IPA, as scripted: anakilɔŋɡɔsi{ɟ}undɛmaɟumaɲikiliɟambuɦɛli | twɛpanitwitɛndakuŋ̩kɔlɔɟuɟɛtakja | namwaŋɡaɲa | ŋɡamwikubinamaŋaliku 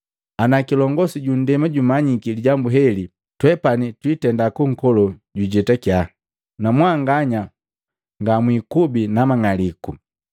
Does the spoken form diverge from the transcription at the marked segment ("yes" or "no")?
no